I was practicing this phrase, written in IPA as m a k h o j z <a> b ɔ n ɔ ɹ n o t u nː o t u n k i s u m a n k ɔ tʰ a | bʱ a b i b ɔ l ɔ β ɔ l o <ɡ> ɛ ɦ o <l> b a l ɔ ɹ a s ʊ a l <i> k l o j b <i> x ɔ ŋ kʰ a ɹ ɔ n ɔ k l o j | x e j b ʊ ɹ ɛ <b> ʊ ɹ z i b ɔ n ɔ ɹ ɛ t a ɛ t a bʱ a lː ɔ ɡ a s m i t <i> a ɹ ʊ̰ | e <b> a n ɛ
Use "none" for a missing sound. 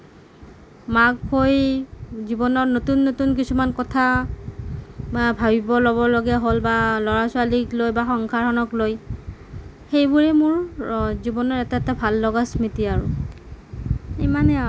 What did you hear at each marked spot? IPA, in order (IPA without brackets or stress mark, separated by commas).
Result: i, ɡ, l, i, a, m, i, m